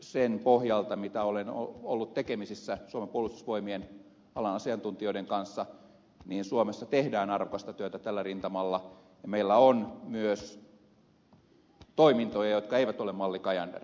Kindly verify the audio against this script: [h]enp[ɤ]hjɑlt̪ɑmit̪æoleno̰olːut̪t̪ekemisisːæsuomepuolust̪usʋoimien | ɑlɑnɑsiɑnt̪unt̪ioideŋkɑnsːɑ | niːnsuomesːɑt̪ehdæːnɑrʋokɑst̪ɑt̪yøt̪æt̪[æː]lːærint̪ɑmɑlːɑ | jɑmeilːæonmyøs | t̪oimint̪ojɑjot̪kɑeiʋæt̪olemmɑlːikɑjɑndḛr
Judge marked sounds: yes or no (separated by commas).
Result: no, no, no